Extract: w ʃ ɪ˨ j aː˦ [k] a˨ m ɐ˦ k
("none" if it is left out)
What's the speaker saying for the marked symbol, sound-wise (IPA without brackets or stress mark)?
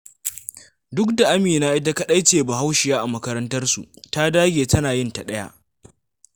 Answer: ʔ